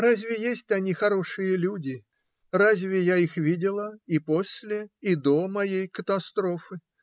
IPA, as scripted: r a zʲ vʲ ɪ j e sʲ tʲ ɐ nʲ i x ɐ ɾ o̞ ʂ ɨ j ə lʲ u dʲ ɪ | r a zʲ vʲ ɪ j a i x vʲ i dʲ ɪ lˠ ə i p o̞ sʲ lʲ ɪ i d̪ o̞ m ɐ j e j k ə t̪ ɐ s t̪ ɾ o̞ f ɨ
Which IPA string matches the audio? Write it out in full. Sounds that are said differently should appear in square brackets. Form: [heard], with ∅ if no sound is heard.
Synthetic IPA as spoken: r a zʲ vʲ ɪ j e sʲ tʲ ɐ nʲ i x ɐ ɾ o̞ ʂ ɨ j ə lʲ u dʲ ɪ | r a zʲ vʲ ɪ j a i x vʲ i dʲ ɪ lˠ ə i p o̞ sʲ lʲ ɪ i d̪ o̞ m ɐ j e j k ə t̪ ɐ s t̪ ɾ o̞ f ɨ